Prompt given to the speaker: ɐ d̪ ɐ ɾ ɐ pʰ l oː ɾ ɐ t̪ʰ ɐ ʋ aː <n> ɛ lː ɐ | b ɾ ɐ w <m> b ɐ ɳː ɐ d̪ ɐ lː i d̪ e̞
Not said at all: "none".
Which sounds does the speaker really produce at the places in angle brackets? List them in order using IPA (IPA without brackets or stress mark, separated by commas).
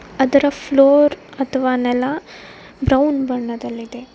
n, n